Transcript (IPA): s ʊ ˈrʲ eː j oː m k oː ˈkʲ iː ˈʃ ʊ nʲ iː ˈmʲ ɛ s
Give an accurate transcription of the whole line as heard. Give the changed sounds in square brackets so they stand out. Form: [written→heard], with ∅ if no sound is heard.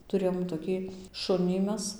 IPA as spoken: [s→t] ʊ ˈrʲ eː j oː m [k→t] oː ˈkʲ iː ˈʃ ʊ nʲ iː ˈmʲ ɛ s